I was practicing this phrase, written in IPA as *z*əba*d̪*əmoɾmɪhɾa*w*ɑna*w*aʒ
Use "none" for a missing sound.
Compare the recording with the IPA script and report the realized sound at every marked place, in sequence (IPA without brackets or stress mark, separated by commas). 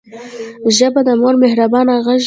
ʒ, d̪, b, ɣ